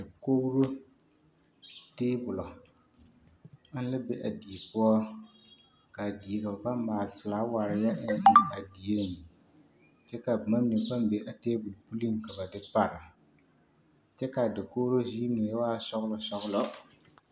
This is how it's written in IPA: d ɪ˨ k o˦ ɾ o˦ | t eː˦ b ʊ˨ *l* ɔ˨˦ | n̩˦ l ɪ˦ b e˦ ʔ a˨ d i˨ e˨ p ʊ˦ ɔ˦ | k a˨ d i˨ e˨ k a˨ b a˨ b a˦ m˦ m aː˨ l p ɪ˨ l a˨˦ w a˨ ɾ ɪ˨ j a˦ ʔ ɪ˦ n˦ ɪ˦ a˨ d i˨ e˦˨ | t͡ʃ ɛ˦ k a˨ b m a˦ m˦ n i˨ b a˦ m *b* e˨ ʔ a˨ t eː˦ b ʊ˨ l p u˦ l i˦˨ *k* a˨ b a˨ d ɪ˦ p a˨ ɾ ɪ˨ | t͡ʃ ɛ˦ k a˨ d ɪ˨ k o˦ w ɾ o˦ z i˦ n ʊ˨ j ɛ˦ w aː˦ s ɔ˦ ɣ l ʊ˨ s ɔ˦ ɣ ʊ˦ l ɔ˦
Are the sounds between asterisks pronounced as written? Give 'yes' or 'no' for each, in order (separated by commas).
yes, yes, yes